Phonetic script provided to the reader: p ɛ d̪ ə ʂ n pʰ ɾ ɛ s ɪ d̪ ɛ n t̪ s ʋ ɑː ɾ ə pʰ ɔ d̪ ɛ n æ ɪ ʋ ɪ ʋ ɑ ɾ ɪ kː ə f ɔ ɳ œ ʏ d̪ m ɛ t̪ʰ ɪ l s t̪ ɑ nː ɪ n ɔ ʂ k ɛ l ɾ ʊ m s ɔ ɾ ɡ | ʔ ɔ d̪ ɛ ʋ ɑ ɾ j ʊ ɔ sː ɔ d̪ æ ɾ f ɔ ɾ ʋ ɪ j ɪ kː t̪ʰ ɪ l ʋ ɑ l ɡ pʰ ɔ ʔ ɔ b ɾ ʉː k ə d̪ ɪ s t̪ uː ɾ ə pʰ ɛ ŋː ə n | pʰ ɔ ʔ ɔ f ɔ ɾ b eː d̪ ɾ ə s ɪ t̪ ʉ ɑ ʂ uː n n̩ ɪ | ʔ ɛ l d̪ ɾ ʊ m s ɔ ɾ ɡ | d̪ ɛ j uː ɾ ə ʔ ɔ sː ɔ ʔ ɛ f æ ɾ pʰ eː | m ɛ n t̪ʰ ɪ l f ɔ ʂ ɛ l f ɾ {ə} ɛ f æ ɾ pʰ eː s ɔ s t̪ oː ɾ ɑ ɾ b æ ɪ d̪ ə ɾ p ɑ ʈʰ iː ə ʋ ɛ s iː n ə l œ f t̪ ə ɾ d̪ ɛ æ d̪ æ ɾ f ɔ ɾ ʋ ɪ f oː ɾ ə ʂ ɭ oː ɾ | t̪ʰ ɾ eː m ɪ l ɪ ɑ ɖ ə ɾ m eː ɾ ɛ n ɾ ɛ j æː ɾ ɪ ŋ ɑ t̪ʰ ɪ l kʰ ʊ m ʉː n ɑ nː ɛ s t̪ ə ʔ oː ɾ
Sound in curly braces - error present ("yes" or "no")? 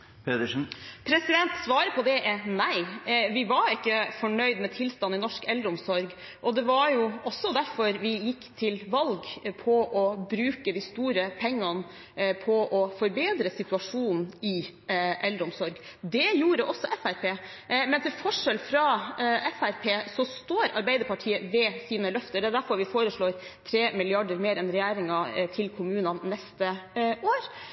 yes